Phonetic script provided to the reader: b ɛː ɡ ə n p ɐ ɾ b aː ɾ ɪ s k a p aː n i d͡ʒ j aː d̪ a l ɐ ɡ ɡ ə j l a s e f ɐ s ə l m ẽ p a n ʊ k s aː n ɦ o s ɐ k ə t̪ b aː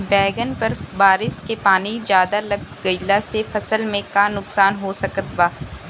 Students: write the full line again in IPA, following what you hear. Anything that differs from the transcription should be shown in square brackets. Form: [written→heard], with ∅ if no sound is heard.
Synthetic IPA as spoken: b ɛː ɡ ə n p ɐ ɾ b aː ɾ ɪ s k [a→e] p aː n i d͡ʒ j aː d̪ a l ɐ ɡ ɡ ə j l a s e f ɐ s ə l m ẽ [p→k] a n ʊ k s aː n ɦ o s ɐ k ə t̪ b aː